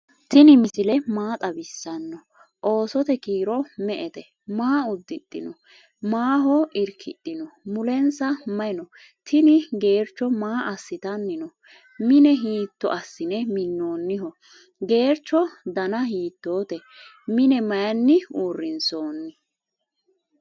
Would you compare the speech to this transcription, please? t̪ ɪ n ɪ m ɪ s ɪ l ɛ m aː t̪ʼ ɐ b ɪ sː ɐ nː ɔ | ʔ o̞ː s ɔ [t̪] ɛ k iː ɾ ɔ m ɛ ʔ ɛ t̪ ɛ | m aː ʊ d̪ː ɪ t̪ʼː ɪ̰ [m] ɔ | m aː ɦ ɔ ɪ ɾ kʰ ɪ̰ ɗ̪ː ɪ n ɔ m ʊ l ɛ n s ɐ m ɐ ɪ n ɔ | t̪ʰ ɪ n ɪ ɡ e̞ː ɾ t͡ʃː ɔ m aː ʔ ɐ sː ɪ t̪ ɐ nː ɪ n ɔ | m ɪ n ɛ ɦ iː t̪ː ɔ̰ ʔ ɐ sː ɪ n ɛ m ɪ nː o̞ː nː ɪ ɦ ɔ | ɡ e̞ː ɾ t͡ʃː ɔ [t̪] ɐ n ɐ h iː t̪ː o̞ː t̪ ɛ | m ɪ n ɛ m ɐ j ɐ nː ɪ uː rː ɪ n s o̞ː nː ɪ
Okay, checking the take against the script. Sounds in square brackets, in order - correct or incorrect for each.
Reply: correct, incorrect: n, incorrect: d̪

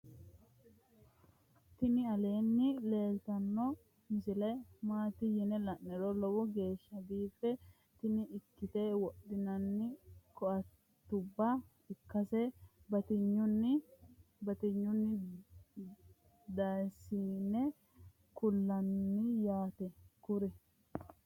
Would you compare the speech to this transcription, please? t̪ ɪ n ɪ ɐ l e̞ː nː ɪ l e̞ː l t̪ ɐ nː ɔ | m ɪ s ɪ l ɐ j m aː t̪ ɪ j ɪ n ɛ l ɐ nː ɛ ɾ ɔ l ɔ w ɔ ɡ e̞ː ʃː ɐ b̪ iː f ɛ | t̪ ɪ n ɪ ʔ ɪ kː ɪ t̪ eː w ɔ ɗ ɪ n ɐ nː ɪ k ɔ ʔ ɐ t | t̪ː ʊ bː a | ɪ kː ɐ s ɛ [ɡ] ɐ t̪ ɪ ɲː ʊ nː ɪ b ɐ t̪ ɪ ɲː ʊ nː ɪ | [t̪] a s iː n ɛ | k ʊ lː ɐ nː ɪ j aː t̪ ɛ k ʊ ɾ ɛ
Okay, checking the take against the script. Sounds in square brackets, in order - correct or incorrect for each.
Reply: incorrect: b, incorrect: d̪

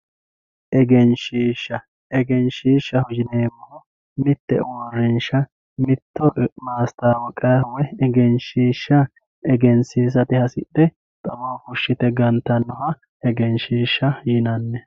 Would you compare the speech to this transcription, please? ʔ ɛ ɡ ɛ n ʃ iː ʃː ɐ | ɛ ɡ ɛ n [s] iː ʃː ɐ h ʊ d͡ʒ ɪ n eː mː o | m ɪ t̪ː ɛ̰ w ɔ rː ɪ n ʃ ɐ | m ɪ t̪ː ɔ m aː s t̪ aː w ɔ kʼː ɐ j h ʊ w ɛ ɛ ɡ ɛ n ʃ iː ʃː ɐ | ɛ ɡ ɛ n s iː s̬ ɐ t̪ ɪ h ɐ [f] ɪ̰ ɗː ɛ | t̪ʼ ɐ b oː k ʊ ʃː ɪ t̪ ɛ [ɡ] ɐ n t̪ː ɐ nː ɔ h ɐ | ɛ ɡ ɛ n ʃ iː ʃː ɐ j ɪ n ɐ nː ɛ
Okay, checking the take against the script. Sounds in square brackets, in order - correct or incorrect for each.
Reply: incorrect: ʃ, incorrect: s, correct

